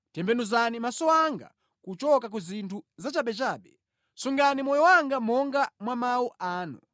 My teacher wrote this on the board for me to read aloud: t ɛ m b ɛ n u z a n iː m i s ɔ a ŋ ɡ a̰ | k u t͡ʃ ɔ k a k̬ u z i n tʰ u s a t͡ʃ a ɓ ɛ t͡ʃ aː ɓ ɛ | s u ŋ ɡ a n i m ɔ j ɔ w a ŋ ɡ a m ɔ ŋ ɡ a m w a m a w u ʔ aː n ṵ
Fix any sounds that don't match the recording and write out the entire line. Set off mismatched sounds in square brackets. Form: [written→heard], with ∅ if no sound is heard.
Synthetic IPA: t ɛ m b ɛ n u z a n [iː→i] m [i→a] s ɔ a ŋ ɡ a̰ | k u t͡ʃ ɔ k a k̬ u z i n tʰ u [s→z] a t͡ʃ a ɓ ɛ t͡ʃ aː ɓ ɛ | s u ŋ ɡ a n i m ɔ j ɔ w a ŋ ɡ a m ɔ ŋ ɡ a m w a m a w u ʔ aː n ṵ